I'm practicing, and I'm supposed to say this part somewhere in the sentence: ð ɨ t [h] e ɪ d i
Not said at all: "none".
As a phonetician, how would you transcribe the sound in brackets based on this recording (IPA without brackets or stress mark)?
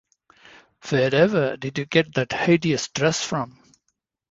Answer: h